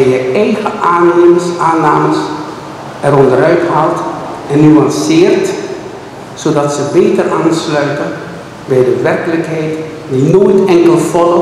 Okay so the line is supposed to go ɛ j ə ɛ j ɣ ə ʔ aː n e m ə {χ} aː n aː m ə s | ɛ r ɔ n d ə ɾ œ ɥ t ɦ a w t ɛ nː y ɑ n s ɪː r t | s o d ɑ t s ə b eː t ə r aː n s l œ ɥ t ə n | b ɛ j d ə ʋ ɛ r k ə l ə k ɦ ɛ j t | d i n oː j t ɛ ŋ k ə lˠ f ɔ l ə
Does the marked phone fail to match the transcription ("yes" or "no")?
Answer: yes